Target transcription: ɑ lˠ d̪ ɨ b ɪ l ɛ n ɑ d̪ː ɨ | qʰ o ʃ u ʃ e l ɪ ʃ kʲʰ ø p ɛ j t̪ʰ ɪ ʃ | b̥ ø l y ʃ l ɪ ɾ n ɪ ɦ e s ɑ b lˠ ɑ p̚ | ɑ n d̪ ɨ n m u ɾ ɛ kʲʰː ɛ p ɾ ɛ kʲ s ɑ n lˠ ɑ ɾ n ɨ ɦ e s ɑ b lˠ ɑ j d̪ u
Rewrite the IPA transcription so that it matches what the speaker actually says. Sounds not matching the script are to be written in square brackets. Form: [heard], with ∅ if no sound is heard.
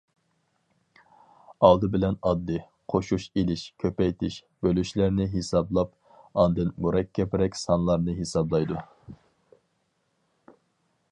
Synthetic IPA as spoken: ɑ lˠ d̪ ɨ b ɪ l ɛ n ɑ d̪ː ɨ | qʰ o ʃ u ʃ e l ɪ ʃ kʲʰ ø p ɛ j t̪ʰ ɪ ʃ | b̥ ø l y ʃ l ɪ ɾ n ɪ ɦ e s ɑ b lˠ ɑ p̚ | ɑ n d̪ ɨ n m u ɾ ɛ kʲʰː ɛ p ɾ ɛ kʲ s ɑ n lˠ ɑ ɾ n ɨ ɦ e s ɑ b lˠ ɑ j d̪ u